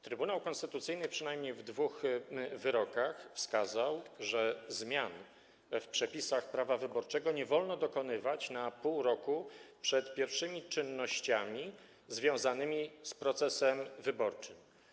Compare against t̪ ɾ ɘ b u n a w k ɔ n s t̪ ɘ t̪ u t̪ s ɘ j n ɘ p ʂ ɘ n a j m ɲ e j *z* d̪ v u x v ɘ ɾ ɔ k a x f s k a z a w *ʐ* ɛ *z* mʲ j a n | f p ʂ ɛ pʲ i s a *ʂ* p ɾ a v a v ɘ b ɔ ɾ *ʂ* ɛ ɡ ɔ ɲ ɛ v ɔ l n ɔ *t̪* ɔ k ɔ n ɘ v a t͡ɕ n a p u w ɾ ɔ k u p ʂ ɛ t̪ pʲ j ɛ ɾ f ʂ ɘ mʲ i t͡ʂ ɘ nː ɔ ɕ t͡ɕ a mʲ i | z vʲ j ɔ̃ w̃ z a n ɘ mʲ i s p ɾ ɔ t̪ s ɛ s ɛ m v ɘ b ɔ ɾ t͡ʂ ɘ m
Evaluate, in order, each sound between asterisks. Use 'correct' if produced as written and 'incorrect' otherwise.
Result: incorrect, correct, correct, incorrect, incorrect, incorrect

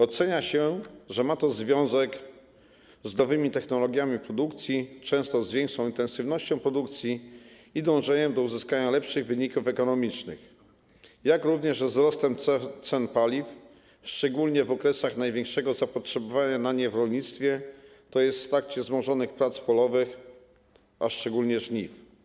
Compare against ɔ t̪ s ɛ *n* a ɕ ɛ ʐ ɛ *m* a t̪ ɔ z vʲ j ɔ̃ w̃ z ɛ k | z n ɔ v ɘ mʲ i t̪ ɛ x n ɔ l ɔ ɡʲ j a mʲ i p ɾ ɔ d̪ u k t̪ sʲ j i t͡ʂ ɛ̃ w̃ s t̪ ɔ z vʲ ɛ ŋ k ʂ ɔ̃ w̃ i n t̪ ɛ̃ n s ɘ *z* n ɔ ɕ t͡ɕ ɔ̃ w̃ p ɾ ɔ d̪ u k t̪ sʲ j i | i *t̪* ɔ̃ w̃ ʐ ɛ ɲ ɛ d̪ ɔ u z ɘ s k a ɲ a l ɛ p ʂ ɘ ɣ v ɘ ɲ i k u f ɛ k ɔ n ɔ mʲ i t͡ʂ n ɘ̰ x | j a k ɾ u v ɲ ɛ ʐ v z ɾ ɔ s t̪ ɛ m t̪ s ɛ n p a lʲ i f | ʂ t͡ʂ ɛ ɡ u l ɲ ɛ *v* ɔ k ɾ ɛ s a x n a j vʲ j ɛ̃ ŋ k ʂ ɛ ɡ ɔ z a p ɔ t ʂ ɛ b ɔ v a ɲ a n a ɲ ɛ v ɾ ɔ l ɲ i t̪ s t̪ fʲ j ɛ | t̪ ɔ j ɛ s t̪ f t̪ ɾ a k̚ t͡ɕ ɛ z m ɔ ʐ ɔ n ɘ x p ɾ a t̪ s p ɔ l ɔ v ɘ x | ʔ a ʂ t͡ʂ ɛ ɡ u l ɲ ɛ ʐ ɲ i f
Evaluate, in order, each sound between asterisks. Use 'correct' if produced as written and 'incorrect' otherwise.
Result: incorrect, correct, incorrect, incorrect, correct

